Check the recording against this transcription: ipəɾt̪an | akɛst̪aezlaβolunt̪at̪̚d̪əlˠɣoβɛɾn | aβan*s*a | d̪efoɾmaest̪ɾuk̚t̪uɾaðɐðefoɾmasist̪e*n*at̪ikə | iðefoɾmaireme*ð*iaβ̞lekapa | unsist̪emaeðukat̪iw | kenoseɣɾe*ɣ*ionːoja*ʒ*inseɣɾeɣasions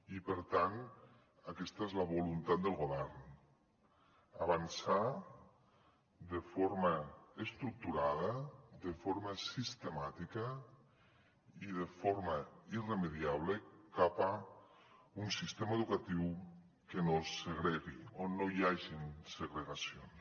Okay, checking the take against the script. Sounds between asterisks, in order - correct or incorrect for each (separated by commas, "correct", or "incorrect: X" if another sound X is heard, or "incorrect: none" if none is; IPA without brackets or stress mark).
correct, incorrect: m, correct, correct, correct